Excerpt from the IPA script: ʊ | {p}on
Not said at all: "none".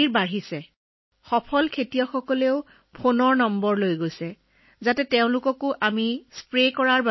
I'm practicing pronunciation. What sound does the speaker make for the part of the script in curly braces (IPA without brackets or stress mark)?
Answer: pʰ